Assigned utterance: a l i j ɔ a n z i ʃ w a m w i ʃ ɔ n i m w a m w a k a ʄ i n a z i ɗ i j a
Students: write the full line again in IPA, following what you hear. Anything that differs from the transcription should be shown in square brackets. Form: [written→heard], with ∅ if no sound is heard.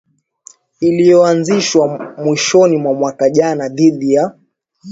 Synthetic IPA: [a→i] l i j ɔ a n z i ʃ w a m w i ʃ ɔ n i m w a m w a k a ʄ [i→a] n a [z→ð] i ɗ i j a

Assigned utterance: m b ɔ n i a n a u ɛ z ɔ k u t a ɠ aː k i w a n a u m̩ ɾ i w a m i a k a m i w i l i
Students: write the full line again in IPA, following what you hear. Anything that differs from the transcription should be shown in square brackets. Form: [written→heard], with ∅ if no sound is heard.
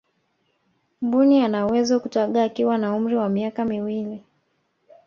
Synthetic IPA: m b [ɔ→u] n i a n a [u→w] ɛ z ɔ k u t a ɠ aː k i w a n a u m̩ ɾ i w a m i a k a m i w i l i

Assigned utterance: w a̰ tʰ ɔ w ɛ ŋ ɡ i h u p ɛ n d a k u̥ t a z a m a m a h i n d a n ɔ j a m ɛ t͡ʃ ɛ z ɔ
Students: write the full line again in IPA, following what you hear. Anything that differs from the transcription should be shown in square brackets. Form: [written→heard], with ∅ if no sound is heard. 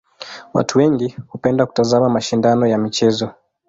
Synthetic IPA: w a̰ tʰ [ɔ→u] w ɛ ŋ ɡ i h u p ɛ n d a k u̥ t a z a m a m a [h→ʃ] i n d a n ɔ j a m [ɛ→i] t͡ʃ ɛ z ɔ

